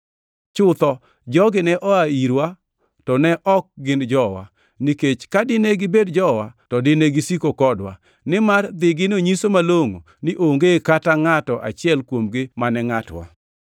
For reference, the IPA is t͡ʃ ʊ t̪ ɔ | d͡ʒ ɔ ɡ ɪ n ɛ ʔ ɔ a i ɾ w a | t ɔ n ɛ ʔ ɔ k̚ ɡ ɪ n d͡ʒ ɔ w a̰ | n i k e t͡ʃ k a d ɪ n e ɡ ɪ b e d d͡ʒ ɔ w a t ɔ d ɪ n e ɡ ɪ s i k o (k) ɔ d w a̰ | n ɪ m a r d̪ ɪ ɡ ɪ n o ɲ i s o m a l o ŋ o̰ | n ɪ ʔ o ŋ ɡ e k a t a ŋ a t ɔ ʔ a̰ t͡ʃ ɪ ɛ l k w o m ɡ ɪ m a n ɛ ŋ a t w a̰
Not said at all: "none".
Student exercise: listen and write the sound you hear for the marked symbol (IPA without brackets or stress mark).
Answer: k